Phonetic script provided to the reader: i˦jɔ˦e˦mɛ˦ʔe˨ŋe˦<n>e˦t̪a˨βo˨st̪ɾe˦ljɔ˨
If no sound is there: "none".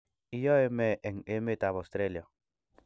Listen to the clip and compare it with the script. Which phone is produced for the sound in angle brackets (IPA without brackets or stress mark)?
m